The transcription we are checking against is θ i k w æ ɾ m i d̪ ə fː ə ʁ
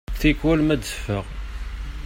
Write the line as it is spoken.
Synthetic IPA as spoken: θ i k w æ l m æ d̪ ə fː ə ʁ

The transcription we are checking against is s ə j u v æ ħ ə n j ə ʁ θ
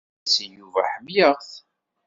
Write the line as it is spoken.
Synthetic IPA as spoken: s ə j u v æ ħ ə m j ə ʁ θ

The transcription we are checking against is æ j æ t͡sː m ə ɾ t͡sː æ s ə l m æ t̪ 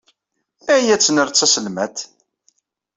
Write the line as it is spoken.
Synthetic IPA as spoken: æ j æ t͡sː n ə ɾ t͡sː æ s ə l m æ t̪

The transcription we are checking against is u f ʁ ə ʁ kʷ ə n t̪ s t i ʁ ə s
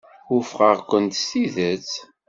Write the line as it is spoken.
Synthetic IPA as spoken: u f ʁ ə ʁ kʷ ə n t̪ s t i ð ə t͡s

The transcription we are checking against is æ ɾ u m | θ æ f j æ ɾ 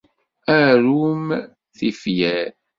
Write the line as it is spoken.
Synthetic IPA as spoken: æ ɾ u m | θ i f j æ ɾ

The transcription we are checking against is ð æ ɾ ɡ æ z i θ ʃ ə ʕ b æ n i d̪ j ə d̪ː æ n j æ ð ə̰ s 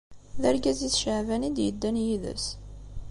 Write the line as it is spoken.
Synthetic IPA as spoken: ð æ ɾ ɡ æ z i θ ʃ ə ʕ v æ n i d̪ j ə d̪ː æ n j i ð ə̰ s

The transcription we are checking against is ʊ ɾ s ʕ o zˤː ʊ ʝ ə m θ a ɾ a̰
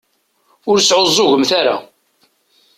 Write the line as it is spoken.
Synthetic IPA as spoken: ʊ ɾ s ʕ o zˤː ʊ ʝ ə m θ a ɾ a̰

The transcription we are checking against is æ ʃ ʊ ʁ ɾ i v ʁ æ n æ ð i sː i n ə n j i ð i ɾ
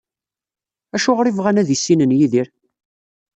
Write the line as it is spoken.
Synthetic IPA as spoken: æ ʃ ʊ ʁ ɾ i v ʁ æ n æ ð i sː i n ə n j i ð i ɾ

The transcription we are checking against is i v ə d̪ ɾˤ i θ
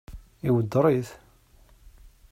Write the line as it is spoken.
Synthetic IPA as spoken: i w ə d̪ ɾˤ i θ

